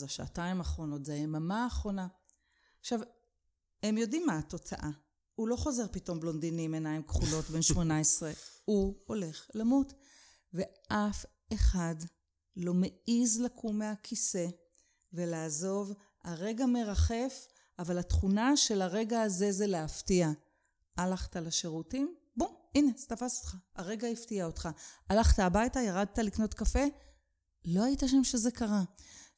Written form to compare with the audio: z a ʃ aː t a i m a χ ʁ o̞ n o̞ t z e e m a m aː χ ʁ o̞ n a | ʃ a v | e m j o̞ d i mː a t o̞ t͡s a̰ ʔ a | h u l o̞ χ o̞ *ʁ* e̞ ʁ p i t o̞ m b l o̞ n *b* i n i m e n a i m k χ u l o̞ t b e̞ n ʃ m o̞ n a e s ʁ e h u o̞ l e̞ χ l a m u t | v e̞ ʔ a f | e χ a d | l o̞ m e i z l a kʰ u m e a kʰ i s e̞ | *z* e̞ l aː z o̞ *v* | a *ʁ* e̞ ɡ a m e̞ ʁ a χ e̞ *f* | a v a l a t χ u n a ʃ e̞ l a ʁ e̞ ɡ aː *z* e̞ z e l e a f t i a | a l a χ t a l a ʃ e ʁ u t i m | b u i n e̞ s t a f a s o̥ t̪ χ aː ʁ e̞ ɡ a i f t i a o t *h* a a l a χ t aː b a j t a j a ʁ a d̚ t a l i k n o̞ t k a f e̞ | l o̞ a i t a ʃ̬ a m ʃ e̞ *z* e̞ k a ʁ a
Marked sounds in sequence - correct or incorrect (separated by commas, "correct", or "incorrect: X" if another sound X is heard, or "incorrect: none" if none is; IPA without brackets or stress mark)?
incorrect: z, incorrect: d, incorrect: v, correct, correct, correct, correct, incorrect: χ, correct